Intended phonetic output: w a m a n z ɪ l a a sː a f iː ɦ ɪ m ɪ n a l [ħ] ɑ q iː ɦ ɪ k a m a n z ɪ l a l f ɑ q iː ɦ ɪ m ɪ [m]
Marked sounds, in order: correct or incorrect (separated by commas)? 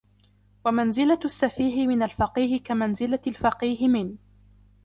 incorrect, incorrect